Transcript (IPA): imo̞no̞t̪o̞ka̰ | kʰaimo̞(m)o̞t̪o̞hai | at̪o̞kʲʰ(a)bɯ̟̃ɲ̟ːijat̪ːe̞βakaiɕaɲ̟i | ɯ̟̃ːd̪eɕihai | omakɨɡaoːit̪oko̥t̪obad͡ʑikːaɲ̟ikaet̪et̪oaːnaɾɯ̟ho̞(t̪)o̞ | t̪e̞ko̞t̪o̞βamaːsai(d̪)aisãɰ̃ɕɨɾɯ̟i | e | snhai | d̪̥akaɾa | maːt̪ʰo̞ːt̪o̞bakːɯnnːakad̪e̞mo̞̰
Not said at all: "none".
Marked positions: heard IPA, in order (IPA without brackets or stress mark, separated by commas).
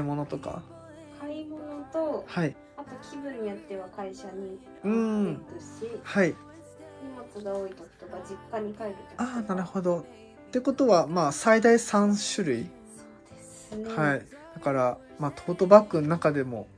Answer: n, i, d̪, d̪